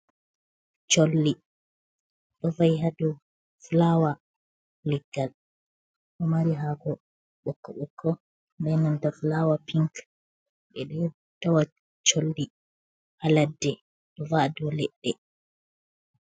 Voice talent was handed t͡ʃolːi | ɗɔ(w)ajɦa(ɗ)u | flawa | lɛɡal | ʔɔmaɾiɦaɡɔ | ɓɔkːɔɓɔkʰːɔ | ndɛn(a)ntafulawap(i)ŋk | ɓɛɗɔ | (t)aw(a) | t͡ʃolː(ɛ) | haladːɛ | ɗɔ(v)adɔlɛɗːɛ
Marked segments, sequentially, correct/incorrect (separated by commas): incorrect, incorrect, correct, correct, correct, correct, incorrect, correct